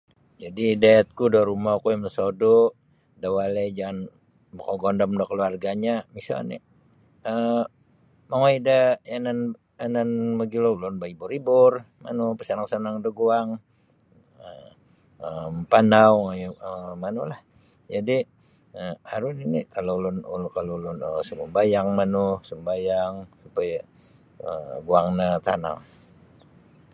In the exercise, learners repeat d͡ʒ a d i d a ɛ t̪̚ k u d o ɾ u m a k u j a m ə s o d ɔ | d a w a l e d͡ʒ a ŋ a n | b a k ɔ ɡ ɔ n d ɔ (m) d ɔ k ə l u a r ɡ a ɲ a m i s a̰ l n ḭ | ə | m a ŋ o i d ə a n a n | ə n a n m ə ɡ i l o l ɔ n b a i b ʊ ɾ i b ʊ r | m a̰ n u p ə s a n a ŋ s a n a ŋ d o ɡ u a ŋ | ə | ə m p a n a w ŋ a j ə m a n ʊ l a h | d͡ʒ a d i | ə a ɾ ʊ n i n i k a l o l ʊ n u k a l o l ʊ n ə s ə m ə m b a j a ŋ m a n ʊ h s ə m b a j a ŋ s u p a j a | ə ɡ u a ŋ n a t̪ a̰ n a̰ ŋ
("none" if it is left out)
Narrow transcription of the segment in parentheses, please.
m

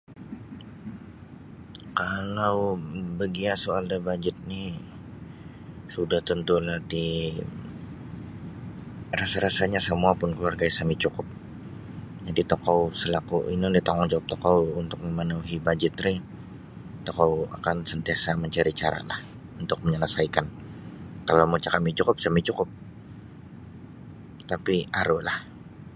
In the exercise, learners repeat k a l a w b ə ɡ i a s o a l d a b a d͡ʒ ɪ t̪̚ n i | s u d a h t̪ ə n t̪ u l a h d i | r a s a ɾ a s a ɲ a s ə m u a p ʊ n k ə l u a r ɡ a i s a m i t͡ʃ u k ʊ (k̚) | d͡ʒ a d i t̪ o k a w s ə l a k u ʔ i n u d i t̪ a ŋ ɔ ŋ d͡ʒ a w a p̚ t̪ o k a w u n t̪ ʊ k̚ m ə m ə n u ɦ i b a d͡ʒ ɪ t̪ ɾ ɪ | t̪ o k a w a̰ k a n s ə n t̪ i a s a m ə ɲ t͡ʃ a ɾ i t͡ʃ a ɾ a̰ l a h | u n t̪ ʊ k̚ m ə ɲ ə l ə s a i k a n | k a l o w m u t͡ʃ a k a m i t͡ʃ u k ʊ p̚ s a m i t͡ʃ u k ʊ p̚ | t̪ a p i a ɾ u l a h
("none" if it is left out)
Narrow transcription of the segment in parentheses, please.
p̚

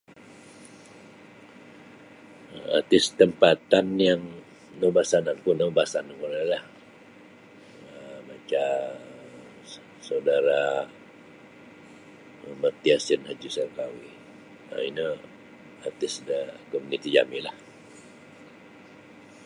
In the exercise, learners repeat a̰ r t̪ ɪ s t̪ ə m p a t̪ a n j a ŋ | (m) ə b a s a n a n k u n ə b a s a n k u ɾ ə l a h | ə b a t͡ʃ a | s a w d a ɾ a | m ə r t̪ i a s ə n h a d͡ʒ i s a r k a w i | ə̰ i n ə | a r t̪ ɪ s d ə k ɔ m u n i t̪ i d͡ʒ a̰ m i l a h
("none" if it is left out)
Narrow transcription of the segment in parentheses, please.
n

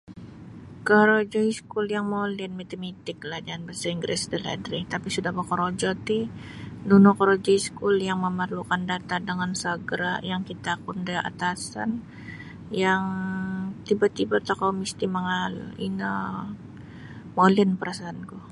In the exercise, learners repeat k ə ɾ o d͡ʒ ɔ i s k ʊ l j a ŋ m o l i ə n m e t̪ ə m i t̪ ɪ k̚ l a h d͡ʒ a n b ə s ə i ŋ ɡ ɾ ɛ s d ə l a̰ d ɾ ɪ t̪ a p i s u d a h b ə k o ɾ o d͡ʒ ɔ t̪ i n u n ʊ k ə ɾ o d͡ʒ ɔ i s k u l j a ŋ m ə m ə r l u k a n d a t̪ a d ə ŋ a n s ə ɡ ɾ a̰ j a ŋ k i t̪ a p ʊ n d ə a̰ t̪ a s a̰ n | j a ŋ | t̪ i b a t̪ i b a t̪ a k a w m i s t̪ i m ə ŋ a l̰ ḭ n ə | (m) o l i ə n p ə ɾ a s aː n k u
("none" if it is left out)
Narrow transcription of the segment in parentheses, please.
m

